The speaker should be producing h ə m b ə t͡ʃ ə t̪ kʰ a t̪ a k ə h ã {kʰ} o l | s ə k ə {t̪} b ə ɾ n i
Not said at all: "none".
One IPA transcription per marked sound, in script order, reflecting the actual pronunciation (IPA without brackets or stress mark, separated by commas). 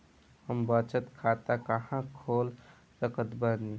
kʰ, t̪